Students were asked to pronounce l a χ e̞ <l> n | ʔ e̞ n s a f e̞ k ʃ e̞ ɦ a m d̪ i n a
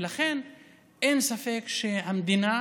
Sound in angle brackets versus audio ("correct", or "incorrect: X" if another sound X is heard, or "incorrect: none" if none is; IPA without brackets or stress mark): incorrect: none